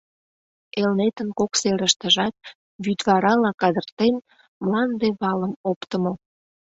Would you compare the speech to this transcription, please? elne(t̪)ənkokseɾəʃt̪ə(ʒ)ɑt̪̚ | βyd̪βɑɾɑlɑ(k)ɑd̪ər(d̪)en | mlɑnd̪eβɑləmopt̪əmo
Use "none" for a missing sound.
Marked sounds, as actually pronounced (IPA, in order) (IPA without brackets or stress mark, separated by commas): t̪, ʒ, k, t̪